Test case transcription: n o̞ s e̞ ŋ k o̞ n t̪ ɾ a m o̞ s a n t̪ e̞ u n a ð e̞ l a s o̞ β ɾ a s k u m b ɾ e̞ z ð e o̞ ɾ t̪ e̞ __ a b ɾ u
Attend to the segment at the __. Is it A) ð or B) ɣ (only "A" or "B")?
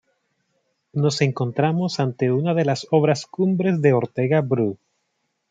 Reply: B